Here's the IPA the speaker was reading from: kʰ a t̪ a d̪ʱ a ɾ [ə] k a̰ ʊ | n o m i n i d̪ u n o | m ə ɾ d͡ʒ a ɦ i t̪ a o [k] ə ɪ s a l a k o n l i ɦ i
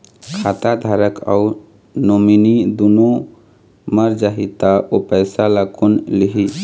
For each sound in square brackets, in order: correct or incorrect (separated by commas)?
correct, incorrect